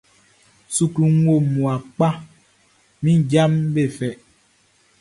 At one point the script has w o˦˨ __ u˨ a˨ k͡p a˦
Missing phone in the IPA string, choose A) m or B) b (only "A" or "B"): A